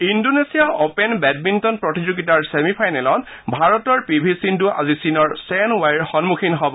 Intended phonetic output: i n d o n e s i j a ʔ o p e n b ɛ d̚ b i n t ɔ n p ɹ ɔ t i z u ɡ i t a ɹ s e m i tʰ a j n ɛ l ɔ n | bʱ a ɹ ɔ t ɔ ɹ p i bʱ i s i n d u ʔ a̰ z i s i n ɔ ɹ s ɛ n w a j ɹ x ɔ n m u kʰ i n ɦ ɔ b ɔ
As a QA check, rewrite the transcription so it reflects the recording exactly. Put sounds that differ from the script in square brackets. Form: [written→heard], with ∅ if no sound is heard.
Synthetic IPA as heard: i n d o n e s i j a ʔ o p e n b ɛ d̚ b i n t ɔ n p ɹ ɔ t i z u ɡ i t a ɹ s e m i [tʰ→pʰ] a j n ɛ l ɔ n | bʱ a ɹ ɔ t ɔ ɹ p i bʱ i s i n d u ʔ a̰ z i s i n ɔ ɹ s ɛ n w a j ɹ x ɔ n m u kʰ i n ɦ ɔ b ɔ

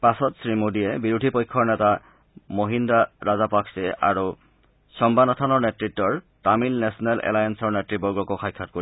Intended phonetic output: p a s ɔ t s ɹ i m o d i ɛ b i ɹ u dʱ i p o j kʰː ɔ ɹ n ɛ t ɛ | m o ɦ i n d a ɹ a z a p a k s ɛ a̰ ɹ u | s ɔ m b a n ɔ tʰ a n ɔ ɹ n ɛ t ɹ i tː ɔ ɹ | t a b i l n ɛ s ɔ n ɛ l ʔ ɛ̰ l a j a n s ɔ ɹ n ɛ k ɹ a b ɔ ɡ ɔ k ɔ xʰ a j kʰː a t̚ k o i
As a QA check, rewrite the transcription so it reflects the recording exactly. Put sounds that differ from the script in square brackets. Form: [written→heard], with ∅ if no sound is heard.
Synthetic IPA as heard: p a s ɔ t s ɹ i m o d i ɛ b i ɹ u dʱ i p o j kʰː ɔ ɹ n ɛ t [ɛ→a] | m o ɦ i n d a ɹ a z a p a k s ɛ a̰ ɹ u | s ɔ m b a n ɔ tʰ a n ɔ ɹ n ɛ t ɹ i tː ɔ ɹ | t a [b→m] i l n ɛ s ɔ n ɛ l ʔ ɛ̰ l a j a n s ɔ ɹ n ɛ [k→t] ɹ [a→i] b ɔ ɡ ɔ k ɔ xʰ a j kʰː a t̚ k o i

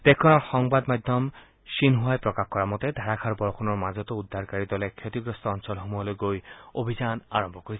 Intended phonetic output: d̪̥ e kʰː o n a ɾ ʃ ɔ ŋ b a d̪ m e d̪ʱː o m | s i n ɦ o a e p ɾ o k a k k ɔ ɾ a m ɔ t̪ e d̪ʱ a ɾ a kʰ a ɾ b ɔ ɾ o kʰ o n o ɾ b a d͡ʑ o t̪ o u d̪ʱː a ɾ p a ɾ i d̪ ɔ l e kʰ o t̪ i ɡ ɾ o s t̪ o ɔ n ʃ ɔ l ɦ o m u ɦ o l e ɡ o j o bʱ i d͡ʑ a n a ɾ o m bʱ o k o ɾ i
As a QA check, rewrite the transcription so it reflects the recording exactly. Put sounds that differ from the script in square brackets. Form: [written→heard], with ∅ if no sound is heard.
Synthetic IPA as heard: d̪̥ e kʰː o n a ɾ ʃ ɔ ŋ b a d̪ m [e→a] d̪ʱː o m | [s→ʃ] i n ɦ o a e p ɾ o k a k k ɔ ɾ a m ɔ t̪ e d̪ʱ a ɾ a kʰ a ɾ b ɔ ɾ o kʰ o n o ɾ [b→m] a d͡ʑ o t̪ o u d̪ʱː a ɾ [p→k] a ɾ i d̪ ɔ l e kʰ o t̪ i ɡ ɾ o s t̪ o ɔ n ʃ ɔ l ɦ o m u ɦ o l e ɡ o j o bʱ i d͡ʑ a n a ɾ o m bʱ o k o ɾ i

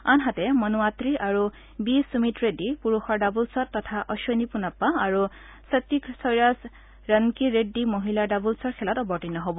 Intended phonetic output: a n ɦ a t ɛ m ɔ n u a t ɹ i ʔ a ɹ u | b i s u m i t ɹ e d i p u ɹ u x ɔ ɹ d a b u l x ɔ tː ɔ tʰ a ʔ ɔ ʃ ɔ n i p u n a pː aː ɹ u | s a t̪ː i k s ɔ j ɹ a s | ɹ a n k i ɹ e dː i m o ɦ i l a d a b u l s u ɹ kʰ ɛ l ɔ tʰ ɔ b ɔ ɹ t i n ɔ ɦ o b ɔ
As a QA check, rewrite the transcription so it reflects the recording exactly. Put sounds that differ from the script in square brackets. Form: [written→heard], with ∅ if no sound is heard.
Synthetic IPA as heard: a n ɦ a t ɛ m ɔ n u a t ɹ i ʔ a ɹ u | b i s u m i t ɹ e d i p u ɹ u x ɔ ɹ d a b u l [x→s] ɔ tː ɔ tʰ a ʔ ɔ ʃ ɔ n i p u n a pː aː ɹ u | s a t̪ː i k s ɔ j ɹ a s | ɹ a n k i ɹ e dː i m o ɦ i l a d a b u l s [u→ɔ] ɹ kʰ ɛ l ɔ [tʰ→t] ɔ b ɔ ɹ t i n ɔ ɦ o b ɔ

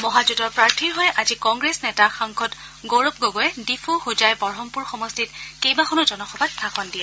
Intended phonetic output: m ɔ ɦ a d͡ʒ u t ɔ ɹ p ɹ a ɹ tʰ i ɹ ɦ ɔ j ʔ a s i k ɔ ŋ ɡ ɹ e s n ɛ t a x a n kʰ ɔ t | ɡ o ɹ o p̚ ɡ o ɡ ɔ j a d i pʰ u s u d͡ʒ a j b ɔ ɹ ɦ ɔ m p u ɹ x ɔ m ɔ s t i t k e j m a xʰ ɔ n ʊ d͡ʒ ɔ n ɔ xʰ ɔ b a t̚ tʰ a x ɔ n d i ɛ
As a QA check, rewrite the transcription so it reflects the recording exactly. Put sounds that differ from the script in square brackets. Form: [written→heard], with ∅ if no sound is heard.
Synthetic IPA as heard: m ɔ ɦ a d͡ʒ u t ɔ ɹ p ɹ a ɹ tʰ i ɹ ɦ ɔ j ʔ a [s→z] i k ɔ ŋ ɡ ɹ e s n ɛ t a x a [n→ŋ] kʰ ɔ t | ɡ o ɹ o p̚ ɡ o ɡ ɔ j [a→ɛ] d i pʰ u [s→x] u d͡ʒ a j b ɔ ɹ ɦ ɔ m p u ɹ x ɔ m ɔ s t i t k e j [m→b] a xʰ ɔ n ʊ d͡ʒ ɔ n ɔ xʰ ɔ b a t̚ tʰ a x ɔ n d i ɛ

